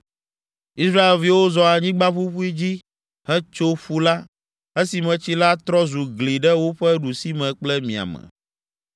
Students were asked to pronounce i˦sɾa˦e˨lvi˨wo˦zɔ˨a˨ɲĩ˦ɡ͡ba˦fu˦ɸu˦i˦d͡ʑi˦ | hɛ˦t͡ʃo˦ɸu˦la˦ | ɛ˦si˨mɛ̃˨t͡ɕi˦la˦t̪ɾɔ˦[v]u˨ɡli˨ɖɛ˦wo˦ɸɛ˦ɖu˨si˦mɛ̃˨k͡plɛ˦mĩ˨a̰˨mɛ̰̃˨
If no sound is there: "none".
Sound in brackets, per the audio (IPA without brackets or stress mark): z